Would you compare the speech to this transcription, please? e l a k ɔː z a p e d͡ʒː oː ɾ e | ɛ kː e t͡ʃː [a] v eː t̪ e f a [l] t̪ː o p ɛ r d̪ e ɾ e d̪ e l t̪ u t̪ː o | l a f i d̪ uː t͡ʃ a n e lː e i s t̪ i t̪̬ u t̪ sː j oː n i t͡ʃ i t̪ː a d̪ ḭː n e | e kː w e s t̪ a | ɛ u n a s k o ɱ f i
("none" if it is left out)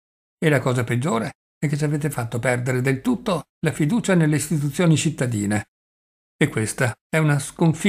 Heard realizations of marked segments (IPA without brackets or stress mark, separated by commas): a, none